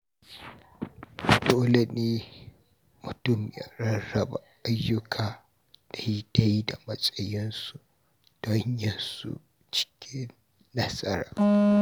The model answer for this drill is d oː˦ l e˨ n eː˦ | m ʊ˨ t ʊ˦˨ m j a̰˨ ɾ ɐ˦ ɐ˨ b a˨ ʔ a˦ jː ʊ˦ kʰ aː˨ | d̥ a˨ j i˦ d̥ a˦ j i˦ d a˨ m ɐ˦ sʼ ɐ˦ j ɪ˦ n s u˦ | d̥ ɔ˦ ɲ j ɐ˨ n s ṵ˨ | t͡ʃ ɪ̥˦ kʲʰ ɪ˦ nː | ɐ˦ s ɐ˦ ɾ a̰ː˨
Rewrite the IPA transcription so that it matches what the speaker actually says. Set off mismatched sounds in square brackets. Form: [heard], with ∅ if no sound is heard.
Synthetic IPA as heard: d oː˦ l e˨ n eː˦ | m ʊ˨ t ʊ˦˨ m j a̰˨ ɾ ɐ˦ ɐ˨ b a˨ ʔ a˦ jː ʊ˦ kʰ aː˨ | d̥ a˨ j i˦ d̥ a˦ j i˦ d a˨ m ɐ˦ sʼ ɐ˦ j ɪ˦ n s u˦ | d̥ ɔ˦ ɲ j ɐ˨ n s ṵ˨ | t͡ʃ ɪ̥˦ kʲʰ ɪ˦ nː | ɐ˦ s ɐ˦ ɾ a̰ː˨

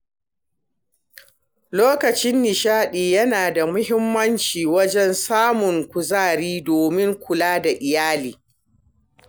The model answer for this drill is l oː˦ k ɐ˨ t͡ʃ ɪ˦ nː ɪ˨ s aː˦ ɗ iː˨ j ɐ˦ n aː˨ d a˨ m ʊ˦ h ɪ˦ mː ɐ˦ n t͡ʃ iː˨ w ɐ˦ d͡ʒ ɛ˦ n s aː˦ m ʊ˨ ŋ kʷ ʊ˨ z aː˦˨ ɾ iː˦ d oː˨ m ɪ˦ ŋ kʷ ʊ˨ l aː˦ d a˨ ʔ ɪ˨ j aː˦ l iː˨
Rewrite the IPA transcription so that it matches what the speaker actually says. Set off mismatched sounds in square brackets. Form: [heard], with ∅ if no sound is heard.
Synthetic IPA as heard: l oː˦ k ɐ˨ t͡ʃ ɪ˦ nː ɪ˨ [ʃ] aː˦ ɗ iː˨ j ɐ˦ n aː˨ d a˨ m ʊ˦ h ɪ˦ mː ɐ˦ n t͡ʃ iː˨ w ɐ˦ d͡ʒ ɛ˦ n s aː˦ m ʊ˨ ŋ kʷ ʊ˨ z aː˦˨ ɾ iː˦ d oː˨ m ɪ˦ ŋ kʷ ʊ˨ l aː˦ d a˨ ʔ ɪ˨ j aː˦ l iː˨

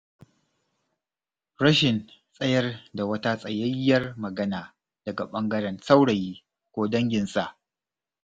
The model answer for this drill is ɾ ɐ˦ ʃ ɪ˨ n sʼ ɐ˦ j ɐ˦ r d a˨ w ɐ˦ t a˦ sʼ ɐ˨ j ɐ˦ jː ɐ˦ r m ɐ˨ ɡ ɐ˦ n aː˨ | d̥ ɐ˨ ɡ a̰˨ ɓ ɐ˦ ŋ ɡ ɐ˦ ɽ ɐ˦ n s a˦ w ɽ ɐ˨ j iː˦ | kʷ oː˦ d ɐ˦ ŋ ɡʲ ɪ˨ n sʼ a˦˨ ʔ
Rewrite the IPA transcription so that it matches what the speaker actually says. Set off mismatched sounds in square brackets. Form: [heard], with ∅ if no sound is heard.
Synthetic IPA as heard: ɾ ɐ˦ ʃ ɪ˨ n sʼ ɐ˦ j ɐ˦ r d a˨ w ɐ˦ t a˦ sʼ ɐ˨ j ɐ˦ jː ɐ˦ r m ɐ˨ ɡ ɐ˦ n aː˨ | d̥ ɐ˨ ɡ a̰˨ ɓ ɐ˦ ŋ ɡ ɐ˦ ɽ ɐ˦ n s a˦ w ɽ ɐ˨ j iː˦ | kʷ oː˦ d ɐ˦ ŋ ɡʲ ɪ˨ n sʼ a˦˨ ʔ

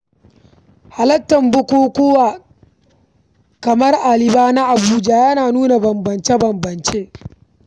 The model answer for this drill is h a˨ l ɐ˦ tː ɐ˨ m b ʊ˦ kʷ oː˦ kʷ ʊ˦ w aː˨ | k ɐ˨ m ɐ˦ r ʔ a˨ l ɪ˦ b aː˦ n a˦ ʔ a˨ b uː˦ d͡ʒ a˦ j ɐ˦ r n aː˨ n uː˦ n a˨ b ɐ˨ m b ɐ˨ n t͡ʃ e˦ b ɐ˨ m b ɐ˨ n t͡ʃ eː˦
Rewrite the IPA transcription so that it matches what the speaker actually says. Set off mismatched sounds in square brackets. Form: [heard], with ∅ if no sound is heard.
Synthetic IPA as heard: h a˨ l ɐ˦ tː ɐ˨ m b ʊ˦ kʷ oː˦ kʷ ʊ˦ w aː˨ | k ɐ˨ m ɐ˦ r ʔ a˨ l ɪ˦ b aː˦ n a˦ ʔ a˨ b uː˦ d͡ʒ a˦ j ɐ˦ [∅] n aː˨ n uː˦ n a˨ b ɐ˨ m b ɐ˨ n t͡ʃ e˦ b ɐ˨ m b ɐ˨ n t͡ʃ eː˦

